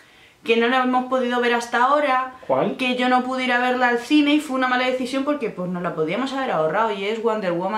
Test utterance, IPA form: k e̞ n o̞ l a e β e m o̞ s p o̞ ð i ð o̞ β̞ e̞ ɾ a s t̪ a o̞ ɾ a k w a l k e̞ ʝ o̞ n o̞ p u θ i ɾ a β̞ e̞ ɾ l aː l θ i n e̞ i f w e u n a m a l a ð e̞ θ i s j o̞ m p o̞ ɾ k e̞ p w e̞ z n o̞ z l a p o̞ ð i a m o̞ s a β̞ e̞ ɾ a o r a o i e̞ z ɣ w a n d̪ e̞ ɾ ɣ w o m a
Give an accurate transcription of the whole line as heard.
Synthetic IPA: k e̞ n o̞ l a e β e m o̞ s p o̞ ð i ð o̞ β̞ e̞ ɾ a s t̪ a o̞ ɾ a k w a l k e̞ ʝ o̞ n o̞ p u ð i ɾ a β̞ e̞ ɾ l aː l θ i n e̞ i f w e u n a m a l a ð e̞ θ i s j o̞ m p o̞ ɾ k e̞ p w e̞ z n o̞ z l a p o̞ ð i a m o̞ s a β̞ e̞ ɾ a o r a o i e̞ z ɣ w a n d̪ e̞ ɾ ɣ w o m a